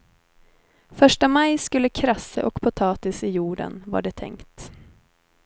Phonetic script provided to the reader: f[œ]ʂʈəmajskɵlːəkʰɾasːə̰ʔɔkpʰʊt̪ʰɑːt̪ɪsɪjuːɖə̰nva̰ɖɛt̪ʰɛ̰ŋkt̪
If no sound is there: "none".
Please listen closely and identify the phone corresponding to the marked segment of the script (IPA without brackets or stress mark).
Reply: œ